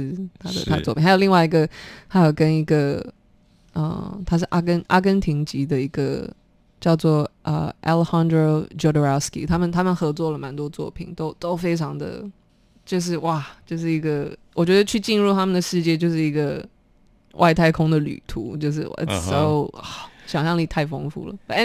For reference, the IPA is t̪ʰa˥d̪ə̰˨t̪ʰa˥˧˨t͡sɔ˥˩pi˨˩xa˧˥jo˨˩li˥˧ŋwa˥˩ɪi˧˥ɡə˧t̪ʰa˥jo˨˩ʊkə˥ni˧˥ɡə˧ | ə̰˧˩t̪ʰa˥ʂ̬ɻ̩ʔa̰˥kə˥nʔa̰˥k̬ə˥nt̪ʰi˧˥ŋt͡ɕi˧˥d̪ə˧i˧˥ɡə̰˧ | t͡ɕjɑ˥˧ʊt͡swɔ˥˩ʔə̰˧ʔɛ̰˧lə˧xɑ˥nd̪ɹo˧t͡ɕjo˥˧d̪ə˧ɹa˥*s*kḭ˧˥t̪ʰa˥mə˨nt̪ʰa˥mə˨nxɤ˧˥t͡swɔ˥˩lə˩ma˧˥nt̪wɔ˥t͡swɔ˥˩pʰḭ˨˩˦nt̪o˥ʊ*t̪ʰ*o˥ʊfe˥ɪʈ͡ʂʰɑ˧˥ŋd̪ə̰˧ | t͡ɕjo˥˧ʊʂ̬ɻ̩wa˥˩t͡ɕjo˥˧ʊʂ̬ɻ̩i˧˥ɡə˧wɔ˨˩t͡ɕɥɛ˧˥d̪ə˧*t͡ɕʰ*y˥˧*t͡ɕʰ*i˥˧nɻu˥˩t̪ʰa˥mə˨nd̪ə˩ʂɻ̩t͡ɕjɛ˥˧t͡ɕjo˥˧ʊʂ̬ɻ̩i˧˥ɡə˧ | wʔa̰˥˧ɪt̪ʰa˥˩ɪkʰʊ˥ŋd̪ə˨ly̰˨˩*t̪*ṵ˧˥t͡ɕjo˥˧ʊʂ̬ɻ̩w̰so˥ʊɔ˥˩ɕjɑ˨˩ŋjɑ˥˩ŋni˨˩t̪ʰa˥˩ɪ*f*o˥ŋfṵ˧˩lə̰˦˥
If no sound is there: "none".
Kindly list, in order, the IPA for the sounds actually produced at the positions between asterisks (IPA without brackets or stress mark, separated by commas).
s, t̪, t͡ɕʰ, t͡ɕ, t̪ʰ, f